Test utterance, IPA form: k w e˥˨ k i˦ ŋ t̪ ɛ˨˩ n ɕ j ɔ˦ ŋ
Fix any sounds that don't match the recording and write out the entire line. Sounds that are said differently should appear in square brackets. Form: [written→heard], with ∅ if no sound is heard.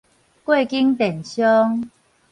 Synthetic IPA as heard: k w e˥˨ k i˦ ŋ t̪ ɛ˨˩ n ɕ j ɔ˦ ŋ